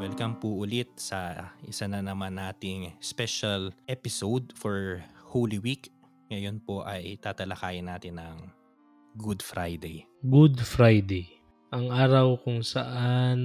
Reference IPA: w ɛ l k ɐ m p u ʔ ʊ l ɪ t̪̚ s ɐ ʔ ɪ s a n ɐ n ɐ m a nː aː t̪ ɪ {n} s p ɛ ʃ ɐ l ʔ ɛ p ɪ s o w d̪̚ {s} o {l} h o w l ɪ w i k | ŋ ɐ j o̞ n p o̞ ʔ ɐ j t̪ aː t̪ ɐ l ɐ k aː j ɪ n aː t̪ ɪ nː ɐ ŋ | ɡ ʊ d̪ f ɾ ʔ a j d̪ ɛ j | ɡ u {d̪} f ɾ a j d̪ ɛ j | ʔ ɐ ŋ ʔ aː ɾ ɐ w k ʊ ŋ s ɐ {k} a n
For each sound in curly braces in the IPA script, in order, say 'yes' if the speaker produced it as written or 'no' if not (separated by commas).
no, no, no, yes, no